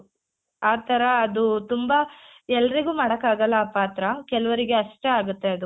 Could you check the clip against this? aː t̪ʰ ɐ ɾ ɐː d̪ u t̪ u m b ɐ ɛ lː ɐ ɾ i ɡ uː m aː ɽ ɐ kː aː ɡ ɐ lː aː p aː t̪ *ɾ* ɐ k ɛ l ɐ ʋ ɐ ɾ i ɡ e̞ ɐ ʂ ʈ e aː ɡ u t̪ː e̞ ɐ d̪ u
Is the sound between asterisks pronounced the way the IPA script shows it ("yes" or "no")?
yes